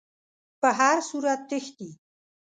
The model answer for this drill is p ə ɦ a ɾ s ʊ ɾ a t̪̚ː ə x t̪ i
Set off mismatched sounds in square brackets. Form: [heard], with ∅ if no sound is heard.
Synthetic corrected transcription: p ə ɦ a ɾ s [u] ɾ a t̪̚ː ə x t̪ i